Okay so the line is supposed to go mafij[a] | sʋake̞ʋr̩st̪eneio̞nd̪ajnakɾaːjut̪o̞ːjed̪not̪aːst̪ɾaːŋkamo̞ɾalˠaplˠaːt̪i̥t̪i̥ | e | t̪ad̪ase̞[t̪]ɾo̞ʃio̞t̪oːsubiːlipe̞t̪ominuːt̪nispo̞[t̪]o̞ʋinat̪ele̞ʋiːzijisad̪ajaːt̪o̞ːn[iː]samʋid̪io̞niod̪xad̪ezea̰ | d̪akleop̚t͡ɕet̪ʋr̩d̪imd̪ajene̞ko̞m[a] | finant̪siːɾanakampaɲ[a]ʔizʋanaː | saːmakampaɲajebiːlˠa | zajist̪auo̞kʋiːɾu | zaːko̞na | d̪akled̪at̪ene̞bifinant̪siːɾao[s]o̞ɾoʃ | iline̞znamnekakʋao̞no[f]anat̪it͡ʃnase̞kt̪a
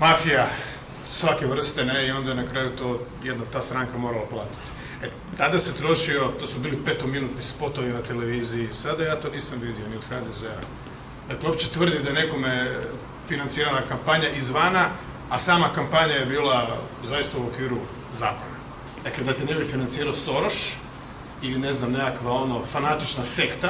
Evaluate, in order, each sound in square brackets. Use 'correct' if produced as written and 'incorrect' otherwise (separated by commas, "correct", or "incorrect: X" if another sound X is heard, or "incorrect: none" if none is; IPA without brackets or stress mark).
correct, correct, correct, correct, incorrect: e, correct, correct, correct